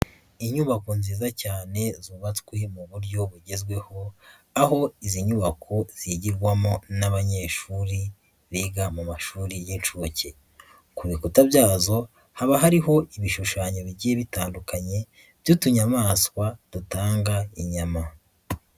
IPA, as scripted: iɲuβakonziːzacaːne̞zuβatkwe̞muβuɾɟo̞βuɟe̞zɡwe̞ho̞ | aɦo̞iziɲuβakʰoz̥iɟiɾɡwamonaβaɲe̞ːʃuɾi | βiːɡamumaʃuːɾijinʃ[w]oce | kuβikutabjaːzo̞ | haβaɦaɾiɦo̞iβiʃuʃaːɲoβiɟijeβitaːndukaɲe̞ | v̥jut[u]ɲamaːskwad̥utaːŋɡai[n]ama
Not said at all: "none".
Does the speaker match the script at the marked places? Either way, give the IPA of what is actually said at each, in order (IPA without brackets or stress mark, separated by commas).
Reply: u, u, ɲ